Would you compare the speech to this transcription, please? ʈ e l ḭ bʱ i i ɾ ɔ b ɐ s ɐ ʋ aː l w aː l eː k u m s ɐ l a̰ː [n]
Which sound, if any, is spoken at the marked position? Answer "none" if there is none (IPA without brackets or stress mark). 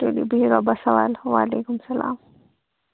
m